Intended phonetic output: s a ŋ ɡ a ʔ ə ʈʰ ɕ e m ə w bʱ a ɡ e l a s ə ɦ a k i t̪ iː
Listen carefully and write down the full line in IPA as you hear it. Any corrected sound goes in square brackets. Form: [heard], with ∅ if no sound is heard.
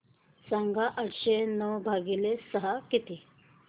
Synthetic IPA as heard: s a ŋ ɡ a ʔ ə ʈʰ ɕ e [n] ə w bʱ a ɡ [i] l [e] s ə ɦ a k i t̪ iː